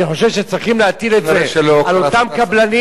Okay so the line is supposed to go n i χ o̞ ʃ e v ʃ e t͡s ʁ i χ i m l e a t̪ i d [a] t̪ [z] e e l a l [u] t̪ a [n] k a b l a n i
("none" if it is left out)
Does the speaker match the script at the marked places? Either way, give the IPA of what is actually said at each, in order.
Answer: e, z, o, m

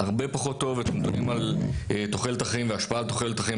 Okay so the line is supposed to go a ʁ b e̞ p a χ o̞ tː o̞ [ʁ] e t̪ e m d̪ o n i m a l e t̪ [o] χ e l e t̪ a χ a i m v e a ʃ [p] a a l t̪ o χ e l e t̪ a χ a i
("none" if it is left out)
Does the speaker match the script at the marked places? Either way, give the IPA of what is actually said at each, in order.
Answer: v, o, p

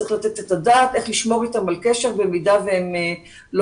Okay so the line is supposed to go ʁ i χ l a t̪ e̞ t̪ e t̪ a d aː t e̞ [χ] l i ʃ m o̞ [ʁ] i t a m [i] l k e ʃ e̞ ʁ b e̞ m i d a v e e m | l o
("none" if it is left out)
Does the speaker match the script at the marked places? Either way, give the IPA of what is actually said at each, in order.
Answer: χ, ʁ, a

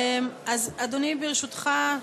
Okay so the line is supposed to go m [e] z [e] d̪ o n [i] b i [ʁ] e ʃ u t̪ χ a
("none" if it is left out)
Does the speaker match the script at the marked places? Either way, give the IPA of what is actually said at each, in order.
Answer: a, a, i, ʁ

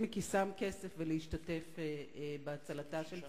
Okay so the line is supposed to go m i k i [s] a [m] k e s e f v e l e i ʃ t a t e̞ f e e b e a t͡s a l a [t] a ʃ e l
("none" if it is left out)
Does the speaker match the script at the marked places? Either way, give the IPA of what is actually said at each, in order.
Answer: s, m, t

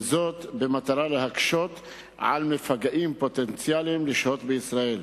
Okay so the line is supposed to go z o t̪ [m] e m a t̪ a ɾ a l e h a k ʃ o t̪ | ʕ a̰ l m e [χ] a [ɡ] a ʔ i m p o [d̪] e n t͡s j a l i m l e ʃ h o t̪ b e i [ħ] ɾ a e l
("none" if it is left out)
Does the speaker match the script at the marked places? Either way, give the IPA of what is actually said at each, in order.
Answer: b, f, ɡ, t̪, s

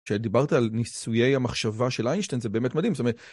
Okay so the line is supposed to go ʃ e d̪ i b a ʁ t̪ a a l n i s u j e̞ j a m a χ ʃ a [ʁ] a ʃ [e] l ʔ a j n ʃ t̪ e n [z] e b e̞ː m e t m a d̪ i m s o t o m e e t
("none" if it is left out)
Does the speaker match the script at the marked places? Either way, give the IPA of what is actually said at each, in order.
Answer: v, e, z

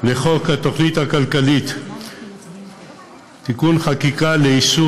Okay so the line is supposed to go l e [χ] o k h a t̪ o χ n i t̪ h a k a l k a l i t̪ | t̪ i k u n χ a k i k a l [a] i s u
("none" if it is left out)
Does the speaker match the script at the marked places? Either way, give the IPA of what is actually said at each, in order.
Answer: χ, e

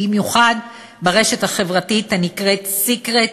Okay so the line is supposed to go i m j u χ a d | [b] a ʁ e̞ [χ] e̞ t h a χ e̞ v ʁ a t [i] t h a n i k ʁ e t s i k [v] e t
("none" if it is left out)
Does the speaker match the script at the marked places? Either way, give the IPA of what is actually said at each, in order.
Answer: b, ʃ, i, ʁ

